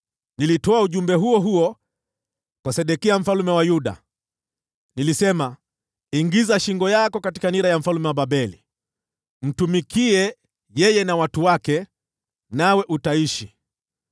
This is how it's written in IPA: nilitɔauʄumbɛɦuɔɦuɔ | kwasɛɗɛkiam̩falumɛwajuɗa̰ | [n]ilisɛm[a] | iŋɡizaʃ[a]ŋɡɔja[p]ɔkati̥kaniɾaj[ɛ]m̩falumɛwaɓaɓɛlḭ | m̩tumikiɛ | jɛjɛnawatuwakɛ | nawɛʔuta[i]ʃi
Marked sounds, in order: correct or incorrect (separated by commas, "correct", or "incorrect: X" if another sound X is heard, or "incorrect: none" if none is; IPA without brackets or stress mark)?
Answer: correct, correct, incorrect: i, incorrect: k, incorrect: a, correct